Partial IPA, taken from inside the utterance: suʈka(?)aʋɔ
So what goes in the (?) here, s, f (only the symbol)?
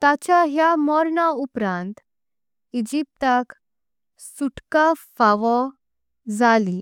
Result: f